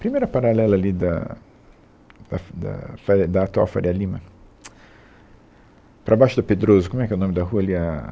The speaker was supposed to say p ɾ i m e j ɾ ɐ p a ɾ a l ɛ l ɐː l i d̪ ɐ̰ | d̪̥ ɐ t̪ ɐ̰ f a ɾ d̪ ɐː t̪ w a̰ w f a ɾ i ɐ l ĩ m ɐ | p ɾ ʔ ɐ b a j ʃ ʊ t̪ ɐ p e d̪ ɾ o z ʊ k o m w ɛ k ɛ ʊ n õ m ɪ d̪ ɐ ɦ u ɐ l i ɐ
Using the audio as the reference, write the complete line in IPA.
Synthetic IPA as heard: p ɾ i m e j ɾ ɐ p a ɾ a l ɛ l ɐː l i d̪ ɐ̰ | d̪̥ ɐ d̪ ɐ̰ f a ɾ d̪ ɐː t̪ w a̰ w f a ɾ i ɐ l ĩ m ɐ | p ɾ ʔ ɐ b a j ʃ ʊ d̪ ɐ p e d̪ ɾ o z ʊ k o m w ɛ k ɛ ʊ n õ m ɪ d̪ ɐ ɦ u ɐ l i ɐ